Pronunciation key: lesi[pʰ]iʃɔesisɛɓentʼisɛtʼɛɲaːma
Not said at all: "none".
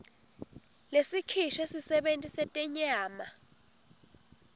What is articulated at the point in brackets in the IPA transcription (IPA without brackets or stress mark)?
kʰ